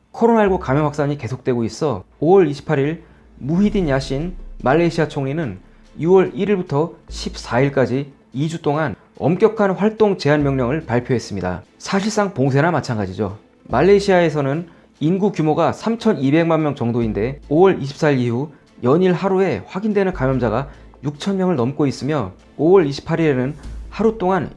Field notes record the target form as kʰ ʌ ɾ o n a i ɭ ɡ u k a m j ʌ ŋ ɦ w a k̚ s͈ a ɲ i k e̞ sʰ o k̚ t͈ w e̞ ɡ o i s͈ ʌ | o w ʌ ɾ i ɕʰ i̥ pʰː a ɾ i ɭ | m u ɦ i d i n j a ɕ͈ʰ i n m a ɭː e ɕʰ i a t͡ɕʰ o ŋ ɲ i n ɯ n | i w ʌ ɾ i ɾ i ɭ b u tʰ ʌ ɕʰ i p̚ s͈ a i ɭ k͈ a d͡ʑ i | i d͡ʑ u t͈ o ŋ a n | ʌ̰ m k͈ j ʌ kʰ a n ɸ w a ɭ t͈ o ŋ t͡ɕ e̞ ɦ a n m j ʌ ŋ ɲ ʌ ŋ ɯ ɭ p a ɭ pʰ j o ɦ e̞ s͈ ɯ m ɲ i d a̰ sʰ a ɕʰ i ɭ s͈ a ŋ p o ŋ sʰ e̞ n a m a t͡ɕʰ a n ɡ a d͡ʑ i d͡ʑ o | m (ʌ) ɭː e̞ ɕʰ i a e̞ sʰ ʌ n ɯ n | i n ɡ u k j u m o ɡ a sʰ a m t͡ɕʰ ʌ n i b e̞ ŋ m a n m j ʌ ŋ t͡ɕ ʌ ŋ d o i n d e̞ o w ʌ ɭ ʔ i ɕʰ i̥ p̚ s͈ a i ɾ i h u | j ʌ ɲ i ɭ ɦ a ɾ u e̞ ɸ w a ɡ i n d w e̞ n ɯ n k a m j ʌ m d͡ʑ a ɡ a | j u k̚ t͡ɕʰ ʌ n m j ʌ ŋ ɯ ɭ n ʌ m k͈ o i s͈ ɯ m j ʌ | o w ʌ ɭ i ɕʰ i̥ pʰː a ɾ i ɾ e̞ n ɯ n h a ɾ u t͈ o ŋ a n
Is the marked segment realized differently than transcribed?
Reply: yes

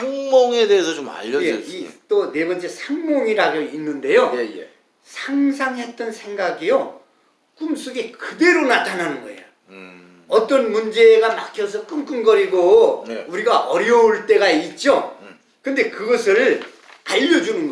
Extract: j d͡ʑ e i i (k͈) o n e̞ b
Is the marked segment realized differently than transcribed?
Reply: yes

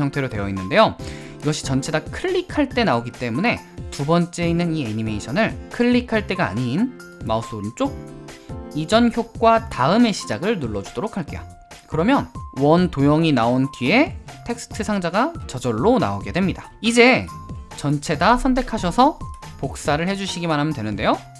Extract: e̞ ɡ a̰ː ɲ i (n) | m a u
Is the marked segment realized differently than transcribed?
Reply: no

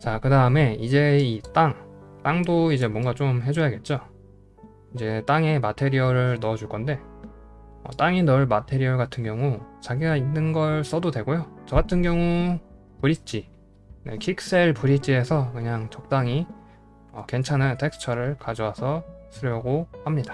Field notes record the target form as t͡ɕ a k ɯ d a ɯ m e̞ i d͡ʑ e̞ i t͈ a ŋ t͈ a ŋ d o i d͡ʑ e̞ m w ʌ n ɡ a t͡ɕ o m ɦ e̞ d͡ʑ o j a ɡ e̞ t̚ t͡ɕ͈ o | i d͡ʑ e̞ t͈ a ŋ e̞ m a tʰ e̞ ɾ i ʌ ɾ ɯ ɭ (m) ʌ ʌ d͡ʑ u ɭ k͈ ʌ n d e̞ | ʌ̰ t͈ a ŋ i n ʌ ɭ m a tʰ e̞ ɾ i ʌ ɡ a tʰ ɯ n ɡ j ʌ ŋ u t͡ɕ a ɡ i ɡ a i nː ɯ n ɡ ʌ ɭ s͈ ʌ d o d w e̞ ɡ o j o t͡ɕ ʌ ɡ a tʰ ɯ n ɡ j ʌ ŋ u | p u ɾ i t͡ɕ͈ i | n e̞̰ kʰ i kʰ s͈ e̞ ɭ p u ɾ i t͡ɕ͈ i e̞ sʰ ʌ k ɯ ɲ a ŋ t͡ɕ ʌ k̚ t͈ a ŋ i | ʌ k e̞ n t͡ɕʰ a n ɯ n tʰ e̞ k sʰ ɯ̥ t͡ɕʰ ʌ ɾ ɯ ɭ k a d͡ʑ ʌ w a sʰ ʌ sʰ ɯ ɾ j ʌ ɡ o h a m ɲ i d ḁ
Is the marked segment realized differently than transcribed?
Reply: yes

